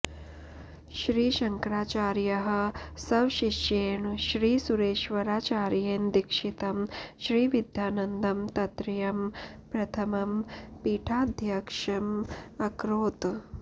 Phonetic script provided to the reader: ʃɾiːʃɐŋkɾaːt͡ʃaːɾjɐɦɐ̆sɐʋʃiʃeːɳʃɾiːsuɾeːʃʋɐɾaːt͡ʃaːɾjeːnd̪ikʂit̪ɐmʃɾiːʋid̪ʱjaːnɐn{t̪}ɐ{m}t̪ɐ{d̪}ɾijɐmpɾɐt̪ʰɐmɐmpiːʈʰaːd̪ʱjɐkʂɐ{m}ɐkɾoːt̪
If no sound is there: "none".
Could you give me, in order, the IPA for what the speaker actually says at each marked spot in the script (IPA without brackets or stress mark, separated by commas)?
d̪, m, t̪, m